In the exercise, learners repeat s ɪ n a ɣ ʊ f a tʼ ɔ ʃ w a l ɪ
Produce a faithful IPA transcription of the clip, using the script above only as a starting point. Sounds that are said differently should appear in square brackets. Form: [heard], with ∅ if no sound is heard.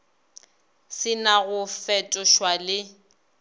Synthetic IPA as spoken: s ɪ n a ɣ ʊ f [ɛ] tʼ ɔ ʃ w a l ɪ

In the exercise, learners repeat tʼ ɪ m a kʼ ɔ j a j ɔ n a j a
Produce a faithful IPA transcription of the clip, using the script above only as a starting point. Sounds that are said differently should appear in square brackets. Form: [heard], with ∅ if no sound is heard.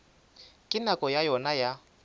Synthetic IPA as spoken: [kʼ] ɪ [n] a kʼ ɔ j a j ɔ n a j a

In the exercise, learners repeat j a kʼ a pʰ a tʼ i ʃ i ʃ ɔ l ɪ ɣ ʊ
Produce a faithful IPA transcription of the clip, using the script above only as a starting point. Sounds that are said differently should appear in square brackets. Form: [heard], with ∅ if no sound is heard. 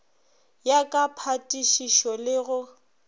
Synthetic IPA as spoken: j a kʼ a pʰ a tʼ i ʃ i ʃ ɔ l ɪ ɣ ʊ

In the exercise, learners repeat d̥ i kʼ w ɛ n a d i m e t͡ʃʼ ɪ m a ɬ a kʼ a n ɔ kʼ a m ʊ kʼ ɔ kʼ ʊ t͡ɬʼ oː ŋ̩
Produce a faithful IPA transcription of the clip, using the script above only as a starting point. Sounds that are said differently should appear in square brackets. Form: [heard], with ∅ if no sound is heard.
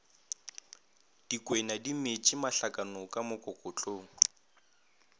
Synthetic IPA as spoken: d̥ i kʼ w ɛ n a d i m e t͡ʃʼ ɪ m a ɬ a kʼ a n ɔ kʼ a m ʊ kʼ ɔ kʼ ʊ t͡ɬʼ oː ŋ̩

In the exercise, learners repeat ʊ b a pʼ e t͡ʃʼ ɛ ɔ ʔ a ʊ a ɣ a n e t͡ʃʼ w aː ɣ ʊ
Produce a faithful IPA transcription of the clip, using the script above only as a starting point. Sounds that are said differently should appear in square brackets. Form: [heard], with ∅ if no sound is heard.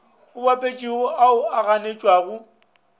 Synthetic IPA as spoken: ʊ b a pʼ e t͡ʃʼ [i] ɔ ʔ a ʊ a ɣ a n e t͡ʃʼ w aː ɣ ʊ

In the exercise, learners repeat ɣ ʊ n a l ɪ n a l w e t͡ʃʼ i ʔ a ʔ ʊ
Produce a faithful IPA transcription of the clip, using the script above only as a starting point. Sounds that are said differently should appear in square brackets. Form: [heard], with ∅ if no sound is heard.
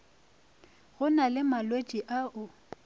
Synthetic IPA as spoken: ɣ ʊ n a l ɪ [m] a l w e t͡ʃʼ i ʔ a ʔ ʊ

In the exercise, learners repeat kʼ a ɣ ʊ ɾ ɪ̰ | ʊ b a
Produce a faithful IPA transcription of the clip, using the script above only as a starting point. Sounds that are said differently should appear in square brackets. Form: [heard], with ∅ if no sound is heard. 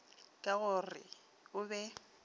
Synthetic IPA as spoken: kʼ a ɣ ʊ [r] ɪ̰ | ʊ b [ɛ]

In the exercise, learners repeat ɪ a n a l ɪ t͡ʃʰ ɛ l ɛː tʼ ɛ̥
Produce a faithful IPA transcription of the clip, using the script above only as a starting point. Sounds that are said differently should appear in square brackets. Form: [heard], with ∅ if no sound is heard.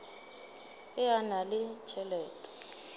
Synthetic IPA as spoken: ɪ a n a l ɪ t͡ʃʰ ɛ l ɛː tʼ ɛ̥

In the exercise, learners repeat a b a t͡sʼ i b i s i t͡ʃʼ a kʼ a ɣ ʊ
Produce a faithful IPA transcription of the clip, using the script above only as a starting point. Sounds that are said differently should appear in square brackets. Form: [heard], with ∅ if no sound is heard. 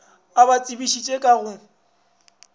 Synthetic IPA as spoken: a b a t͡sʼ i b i [ʃ] i t͡ʃʼ [e] kʼ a ɣ ʊ

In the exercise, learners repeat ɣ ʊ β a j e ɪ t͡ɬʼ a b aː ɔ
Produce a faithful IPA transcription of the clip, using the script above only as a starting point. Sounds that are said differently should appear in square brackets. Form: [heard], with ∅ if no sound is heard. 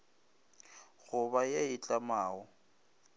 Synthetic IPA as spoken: ɣ ʊ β a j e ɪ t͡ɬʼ a [m] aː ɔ

